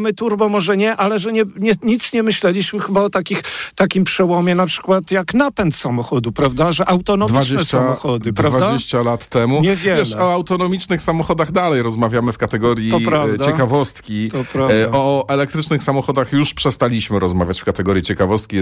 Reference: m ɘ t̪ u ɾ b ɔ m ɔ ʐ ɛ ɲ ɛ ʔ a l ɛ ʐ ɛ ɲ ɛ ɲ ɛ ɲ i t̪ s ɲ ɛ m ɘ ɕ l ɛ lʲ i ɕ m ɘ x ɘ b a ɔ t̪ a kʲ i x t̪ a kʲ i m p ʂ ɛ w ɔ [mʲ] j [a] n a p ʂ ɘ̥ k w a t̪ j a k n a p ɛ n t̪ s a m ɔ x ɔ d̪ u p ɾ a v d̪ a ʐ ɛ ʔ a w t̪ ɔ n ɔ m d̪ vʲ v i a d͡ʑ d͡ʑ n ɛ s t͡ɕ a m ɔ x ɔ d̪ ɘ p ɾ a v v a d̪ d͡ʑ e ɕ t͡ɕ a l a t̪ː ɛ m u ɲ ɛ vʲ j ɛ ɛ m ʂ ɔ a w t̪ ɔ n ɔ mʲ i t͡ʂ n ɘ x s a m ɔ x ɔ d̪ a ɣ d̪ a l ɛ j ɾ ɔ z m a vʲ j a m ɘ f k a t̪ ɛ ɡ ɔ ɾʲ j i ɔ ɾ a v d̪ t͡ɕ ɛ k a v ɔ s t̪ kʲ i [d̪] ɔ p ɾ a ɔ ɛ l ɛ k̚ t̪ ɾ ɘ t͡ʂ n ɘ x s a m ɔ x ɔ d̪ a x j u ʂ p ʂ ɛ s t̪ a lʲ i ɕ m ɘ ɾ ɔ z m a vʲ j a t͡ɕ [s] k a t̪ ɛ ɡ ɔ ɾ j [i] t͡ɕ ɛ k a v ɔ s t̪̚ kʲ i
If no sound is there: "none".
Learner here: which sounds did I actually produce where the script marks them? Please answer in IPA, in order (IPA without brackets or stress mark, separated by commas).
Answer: mʲ, ɛ, t̪, f, i